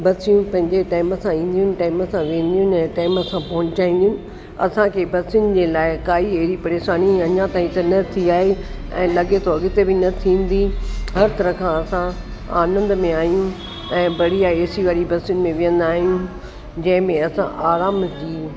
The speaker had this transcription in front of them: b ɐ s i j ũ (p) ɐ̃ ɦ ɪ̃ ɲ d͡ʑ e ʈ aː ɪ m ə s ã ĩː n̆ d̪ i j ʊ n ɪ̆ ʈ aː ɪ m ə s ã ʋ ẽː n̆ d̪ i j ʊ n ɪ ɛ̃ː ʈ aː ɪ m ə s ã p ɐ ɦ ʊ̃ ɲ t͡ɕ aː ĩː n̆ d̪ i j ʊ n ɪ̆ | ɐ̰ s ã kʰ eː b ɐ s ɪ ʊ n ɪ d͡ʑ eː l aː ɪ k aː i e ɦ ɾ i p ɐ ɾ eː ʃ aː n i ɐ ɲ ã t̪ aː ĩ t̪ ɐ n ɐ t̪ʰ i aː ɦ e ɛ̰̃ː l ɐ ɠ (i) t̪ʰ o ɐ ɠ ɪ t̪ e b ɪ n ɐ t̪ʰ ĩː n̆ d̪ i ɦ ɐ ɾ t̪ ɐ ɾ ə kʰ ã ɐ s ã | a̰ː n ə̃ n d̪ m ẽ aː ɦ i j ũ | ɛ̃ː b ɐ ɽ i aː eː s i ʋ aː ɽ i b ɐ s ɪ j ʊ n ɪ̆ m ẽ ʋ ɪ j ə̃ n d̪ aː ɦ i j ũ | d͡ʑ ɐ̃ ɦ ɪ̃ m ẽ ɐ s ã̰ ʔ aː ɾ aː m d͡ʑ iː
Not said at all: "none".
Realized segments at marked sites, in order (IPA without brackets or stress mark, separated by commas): p, e